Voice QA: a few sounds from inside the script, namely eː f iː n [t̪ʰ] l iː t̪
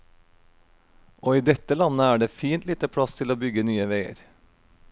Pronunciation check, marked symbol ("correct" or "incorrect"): incorrect